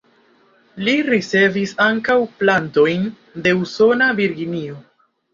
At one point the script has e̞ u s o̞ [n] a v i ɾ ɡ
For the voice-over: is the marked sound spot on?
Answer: yes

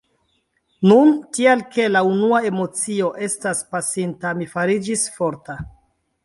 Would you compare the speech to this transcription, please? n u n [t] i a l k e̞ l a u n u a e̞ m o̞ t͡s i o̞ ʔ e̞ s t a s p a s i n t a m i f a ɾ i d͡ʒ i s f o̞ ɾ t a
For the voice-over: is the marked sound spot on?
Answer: yes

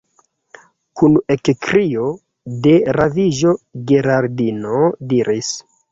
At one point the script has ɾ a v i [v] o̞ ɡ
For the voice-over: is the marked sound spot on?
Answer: no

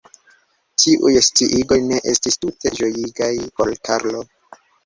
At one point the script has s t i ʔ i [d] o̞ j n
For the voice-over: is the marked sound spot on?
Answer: no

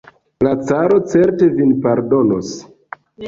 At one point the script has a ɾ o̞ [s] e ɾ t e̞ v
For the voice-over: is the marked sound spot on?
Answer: no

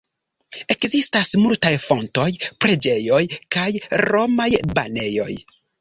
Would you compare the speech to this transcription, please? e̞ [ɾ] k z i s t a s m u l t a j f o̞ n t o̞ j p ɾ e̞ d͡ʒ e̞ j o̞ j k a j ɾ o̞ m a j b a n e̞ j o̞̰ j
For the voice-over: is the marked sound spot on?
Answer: no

